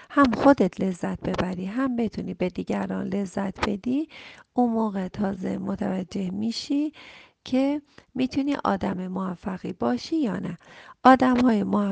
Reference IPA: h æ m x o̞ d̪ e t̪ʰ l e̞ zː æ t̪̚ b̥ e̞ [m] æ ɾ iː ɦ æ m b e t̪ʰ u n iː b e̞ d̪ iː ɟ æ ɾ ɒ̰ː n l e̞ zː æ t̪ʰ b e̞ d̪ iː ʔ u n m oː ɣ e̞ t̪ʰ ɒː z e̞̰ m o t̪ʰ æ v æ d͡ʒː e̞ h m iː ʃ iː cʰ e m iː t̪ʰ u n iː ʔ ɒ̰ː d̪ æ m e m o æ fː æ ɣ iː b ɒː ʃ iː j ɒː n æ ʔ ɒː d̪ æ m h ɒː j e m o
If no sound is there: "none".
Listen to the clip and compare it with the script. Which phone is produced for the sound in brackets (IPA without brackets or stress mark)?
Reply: b